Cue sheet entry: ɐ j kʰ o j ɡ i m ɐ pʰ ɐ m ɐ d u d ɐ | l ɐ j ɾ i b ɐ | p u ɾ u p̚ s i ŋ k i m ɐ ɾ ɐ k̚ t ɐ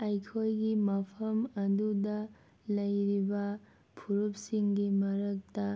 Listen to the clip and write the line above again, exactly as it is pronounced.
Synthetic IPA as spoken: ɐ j kʰ o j ɡ i m ɐ pʰ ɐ m ɐ d u d ɐ | l ɐ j ɾ i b ɐ | pʰ u ɾ u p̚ s i ŋ ɡ i m ɐ ɾ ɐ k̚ t ɐ